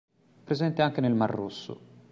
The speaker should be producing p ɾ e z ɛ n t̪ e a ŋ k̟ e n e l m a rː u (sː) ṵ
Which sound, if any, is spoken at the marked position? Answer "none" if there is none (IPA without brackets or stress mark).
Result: sː